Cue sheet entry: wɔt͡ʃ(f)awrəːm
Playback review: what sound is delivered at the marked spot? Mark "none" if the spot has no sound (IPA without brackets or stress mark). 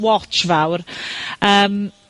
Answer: v